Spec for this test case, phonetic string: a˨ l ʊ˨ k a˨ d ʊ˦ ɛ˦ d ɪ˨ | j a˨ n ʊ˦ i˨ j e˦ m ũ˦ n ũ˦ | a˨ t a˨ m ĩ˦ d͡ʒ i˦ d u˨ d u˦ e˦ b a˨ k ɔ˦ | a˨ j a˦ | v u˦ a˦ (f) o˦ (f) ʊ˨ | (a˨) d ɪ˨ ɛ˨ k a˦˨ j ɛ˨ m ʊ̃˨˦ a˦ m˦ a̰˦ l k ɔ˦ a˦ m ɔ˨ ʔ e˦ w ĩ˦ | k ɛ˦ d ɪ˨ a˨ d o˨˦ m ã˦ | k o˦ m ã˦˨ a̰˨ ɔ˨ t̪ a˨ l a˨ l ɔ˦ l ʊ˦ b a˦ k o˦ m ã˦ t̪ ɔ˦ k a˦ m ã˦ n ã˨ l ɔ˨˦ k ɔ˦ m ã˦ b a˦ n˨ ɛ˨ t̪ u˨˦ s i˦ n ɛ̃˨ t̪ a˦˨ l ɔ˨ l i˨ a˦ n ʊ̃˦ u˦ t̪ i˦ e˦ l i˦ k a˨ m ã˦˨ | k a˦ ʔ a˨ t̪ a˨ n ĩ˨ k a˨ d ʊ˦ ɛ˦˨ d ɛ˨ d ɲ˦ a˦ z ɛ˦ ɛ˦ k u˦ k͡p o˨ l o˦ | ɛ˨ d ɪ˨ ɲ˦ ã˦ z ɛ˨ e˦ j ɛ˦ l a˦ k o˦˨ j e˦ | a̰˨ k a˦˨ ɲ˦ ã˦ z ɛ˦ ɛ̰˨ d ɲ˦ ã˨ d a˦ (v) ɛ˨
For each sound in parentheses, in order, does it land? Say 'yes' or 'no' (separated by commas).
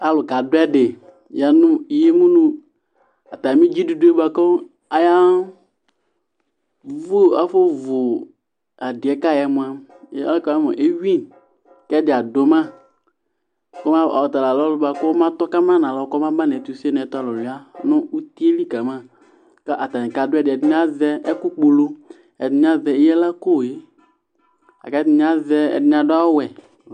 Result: yes, no, yes, no